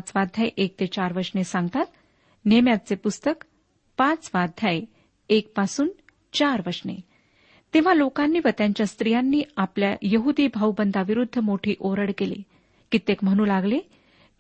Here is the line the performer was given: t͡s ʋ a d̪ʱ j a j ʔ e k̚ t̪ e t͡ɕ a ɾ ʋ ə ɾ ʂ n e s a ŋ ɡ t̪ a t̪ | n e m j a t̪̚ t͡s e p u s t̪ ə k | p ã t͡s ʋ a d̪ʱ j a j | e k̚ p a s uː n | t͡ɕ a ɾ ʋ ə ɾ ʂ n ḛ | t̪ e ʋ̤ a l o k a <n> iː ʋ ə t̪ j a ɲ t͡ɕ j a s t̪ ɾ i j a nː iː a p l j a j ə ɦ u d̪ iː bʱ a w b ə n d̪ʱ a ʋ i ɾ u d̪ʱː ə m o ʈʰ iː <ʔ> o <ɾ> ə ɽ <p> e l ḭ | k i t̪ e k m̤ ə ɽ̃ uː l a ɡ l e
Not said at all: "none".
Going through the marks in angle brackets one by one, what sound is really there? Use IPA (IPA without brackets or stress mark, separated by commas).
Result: nː, ʔ, ɾ, k